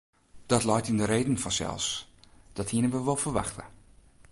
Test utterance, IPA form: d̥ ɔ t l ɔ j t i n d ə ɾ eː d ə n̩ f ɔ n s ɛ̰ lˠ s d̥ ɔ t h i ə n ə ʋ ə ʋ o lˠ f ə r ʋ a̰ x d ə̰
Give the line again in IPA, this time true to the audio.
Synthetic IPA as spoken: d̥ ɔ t l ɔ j t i n d ə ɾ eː d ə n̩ f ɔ n s ɛ̰ lˠ s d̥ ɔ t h i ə n ə ʋ ə ʋ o lˠ f ə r ʋ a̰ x t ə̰